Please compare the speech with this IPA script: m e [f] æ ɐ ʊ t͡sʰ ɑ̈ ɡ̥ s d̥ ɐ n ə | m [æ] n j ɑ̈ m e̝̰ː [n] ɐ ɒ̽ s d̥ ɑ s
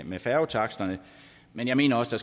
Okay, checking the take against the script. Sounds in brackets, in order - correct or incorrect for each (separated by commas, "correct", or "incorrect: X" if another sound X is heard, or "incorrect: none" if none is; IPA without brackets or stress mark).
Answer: correct, incorrect: e, correct